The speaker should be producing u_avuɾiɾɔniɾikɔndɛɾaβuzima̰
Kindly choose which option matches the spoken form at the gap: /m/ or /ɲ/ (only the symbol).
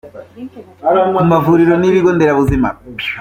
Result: m